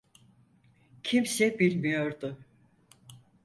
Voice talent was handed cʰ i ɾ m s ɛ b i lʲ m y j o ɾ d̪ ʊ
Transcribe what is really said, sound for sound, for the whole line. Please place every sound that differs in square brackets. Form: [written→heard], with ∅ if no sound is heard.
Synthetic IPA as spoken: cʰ i [ɾ→∅] m s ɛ b i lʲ m [y→i] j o ɾ d̪ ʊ